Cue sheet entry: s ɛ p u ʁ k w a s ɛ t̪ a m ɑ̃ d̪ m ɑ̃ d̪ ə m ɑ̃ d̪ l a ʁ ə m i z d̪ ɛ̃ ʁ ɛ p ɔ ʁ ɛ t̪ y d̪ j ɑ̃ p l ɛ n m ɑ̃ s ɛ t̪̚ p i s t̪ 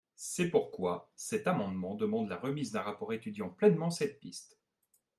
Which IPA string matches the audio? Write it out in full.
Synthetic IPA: s ɛ p u ʁ k w a s ɛ t̪ a m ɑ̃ d̪ m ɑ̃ d̪ ə m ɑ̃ d̪ l a ʁ ə m i z d̪ ɛ̃ ʁ a p ɔ ʁ e t̪ y d̪ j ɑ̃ p l ɛ n m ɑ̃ s ɛ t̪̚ p i s t̪